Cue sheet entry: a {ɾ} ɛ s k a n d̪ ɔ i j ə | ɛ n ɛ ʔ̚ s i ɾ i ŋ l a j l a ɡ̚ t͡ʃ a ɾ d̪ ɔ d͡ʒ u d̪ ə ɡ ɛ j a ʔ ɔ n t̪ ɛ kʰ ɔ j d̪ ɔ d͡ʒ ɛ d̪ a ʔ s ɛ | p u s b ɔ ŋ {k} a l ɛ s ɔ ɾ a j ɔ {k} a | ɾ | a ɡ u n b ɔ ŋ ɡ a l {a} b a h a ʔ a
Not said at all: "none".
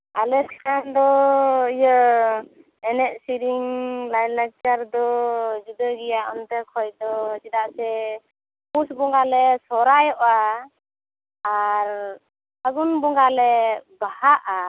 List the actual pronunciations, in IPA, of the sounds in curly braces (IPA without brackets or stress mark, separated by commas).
l, ɡ, ʔ, ɛ